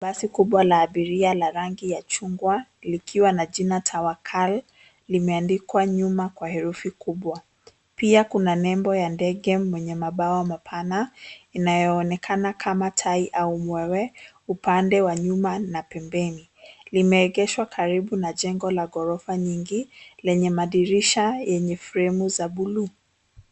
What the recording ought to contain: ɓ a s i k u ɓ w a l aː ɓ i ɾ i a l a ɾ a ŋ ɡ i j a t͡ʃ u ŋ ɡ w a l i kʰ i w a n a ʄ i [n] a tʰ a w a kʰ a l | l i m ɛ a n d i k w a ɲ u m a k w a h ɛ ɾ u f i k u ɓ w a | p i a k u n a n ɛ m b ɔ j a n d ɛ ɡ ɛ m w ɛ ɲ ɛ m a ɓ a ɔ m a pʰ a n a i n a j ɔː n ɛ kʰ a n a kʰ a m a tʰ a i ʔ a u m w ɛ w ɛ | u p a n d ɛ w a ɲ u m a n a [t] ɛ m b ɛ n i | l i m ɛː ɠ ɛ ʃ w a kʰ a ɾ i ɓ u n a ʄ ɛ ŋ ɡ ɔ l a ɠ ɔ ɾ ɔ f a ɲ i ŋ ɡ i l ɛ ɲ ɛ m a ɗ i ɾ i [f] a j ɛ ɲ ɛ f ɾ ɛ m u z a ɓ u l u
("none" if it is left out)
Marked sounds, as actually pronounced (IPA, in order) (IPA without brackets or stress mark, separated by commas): n, p, ʃ